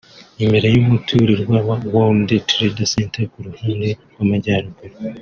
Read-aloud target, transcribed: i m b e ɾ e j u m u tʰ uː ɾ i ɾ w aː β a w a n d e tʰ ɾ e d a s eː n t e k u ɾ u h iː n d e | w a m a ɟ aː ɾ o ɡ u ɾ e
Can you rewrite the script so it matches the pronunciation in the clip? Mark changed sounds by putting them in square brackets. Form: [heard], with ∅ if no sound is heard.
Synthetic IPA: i m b e ɾ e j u m u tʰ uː ɾ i ɾ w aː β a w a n d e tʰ ɾ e d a s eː n t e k u ɾ u h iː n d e | w a m a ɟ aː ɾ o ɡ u ɾ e